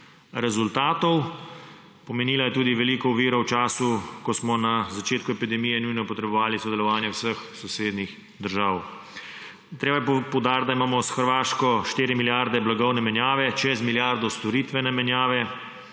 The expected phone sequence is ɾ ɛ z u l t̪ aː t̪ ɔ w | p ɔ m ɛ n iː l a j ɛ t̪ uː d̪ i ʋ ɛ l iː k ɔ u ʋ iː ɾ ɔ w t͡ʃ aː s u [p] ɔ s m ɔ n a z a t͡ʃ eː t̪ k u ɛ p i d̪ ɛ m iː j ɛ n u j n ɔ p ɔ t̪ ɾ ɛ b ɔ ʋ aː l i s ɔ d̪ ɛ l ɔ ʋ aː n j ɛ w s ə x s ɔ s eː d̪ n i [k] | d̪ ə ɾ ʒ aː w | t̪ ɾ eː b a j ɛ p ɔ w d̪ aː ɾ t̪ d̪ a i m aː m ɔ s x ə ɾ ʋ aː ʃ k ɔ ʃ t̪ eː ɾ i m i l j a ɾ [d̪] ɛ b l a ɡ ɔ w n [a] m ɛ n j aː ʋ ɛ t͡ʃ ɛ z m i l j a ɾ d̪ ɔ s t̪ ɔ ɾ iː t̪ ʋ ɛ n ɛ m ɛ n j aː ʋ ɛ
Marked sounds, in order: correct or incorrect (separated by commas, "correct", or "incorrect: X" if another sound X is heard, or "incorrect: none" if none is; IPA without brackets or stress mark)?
incorrect: k, incorrect: x, correct, incorrect: ɛ